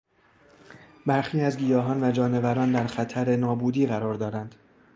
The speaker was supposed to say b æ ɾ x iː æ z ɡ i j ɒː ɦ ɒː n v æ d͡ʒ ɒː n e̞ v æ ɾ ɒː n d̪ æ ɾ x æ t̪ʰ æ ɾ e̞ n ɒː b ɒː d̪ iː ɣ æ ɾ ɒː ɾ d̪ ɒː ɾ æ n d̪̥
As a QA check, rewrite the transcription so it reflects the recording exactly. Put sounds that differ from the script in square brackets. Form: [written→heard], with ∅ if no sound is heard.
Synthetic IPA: b æ ɾ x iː æ z ɡ i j ɒː ɦ ɒː n v æ d͡ʒ ɒː n e̞ v æ ɾ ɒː n d̪ æ ɾ x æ t̪ʰ æ ɾ e̞ n ɒː b [ɒː→uː] d̪ iː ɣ æ ɾ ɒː ɾ d̪ ɒː ɾ æ n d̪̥